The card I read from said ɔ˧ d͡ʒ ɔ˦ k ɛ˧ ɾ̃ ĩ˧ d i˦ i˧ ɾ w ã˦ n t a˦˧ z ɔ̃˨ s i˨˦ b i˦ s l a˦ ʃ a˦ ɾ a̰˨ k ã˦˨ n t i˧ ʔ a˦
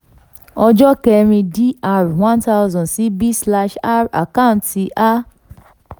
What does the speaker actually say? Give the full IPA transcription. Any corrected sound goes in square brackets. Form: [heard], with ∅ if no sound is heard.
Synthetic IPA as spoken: ɔ˧ d͡ʒ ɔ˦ k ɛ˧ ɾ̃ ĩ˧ d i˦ [a˧] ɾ w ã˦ n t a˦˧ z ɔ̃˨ s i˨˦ b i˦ s l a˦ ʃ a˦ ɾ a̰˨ k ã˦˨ n t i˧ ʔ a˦